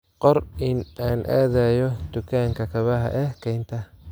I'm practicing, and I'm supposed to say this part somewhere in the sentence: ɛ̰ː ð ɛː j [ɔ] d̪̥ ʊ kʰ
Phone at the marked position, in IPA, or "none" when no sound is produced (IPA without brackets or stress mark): ɔ